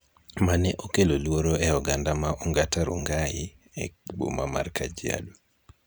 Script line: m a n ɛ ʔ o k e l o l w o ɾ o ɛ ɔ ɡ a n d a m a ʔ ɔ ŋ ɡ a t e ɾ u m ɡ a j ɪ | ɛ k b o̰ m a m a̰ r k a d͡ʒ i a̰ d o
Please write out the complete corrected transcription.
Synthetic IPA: m a n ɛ ʔ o k e l o l w o ɾ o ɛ ɔ ɡ a n d a m a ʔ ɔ ŋ ɡ a t a ɾ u ŋ ɡ a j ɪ | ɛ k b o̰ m a m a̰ r k a d͡ʒ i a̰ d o